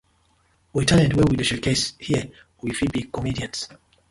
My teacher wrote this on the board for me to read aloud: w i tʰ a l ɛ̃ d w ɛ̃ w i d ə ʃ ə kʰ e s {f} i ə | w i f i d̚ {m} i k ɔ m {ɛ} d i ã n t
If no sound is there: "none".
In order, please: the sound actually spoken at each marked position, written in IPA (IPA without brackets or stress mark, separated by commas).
h, b, i